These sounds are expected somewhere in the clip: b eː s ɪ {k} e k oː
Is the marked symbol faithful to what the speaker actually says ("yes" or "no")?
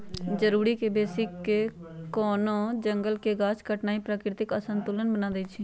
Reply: yes